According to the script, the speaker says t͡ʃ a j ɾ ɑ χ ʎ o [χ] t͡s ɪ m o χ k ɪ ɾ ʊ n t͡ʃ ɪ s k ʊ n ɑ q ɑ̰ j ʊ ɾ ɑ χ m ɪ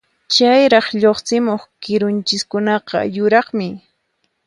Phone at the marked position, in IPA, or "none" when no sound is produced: χ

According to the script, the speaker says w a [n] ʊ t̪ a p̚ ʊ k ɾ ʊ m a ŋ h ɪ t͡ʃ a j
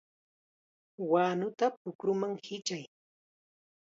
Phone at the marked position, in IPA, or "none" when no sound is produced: n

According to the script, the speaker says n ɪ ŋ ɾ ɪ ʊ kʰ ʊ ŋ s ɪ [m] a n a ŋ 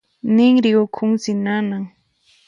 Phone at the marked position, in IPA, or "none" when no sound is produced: n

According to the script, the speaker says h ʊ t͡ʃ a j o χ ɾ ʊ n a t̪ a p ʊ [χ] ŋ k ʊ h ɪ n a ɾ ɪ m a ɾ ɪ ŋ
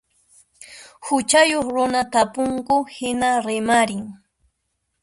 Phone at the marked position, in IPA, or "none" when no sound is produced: none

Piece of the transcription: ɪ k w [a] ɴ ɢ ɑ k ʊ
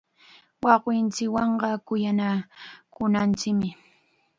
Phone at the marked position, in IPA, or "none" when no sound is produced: ɑ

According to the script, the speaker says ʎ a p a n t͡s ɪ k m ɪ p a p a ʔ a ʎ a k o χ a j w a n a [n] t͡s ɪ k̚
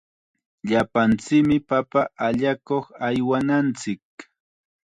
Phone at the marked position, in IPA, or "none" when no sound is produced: n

